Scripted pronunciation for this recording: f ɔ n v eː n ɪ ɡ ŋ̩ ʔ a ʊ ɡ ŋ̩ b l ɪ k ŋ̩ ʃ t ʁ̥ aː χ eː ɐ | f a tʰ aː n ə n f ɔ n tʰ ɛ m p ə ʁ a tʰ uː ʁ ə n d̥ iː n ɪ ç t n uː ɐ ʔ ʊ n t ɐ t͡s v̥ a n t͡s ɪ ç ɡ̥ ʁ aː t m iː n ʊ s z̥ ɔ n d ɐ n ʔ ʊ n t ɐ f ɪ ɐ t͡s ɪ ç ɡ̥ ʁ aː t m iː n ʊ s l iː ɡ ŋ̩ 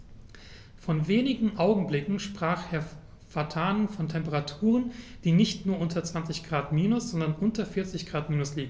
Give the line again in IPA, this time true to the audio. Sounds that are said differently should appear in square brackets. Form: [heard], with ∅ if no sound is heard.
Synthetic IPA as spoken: f ɔ n v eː n ɪ ɡ ŋ̩ ʔ a ʊ ɡ ŋ̩ b l ɪ k ŋ̩ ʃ [p] ʁ̥ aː χ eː ɐ | f a tʰ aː n ə n f ɔ n tʰ ɛ m p ə ʁ a tʰ uː ʁ ə n d̥ iː n ɪ ç t n uː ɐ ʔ ʊ n t ɐ t͡s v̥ a n t͡s ɪ ç ɡ̥ ʁ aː t m iː n ʊ s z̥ ɔ n d ɐ n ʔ ʊ n t ɐ f ɪ ɐ t͡s ɪ ç ɡ̥ ʁ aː t m iː n ʊ s l iː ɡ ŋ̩